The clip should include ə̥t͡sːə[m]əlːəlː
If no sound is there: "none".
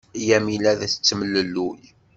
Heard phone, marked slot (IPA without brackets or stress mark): m